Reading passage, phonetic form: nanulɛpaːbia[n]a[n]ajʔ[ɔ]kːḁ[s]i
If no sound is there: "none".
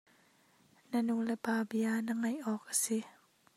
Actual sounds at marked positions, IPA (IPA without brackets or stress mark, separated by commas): n, ŋ, ɔː, s